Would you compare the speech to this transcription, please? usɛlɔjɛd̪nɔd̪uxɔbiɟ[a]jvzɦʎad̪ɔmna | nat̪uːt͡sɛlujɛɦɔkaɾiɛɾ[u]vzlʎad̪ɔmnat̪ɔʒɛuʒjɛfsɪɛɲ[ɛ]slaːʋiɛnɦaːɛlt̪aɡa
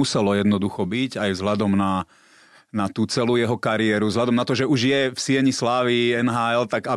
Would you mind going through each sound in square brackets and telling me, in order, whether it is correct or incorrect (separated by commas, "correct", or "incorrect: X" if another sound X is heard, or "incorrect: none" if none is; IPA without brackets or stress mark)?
correct, correct, incorrect: i